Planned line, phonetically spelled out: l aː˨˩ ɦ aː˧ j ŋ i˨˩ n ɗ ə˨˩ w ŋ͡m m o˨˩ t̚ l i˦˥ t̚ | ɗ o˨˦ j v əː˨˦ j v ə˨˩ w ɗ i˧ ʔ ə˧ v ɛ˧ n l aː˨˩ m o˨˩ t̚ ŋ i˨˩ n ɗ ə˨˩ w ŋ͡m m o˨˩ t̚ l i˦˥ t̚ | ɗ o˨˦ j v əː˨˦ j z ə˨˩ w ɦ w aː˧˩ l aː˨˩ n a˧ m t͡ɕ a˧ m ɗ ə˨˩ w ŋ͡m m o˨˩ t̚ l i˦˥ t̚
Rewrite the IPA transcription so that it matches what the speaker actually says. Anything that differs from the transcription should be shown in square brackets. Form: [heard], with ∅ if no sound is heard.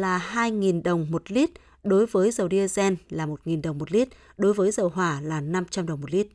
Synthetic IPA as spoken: l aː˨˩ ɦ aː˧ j ŋ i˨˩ n ɗ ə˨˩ w ŋ͡m m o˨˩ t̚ l i˦˥ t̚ | ɗ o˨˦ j v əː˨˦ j [z] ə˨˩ w ɗ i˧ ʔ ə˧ [z] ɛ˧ n l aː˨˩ m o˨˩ t̚ ŋ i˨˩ n ɗ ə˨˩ w ŋ͡m m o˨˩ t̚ l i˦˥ t̚ | ɗ o˨˦ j v əː˨˦ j z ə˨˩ w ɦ w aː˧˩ l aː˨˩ n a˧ m t͡ɕ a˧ m ɗ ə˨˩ w ŋ͡m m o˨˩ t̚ l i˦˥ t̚